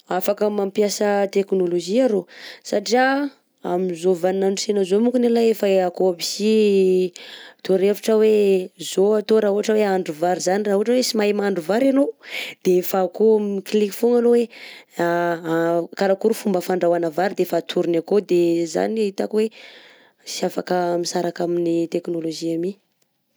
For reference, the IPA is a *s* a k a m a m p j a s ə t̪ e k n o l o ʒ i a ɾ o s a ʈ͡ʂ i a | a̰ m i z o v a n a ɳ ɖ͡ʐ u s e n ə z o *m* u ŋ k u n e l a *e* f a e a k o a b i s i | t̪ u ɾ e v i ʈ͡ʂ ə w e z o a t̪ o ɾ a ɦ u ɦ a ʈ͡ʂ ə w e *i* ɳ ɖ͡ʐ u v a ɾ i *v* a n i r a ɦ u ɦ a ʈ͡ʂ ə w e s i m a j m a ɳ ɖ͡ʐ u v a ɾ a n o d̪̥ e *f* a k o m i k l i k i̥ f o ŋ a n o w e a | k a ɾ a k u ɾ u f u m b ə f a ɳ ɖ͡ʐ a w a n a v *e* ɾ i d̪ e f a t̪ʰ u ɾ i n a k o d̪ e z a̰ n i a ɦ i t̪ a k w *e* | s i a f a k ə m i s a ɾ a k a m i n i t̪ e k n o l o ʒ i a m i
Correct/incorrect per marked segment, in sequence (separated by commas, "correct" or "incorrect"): incorrect, correct, correct, incorrect, incorrect, correct, incorrect, correct